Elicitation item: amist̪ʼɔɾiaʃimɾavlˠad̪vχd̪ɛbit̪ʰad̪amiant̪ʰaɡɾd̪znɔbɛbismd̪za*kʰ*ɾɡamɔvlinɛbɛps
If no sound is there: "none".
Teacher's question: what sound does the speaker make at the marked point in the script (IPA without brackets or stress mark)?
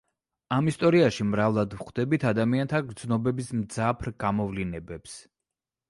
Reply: pʰ